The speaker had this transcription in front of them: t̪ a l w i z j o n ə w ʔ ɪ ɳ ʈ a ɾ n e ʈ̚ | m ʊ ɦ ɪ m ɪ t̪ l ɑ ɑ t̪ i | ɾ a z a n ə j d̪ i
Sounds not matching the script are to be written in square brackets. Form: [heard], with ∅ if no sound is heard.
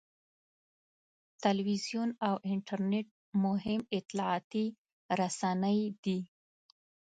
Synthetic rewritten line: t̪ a l w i z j [u] n [a] w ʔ ɪ ɳ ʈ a ɾ n e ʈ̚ | m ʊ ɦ ɪ m ɪ t̪ l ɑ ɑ t̪ i | ɾ a [s] a n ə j d̪ i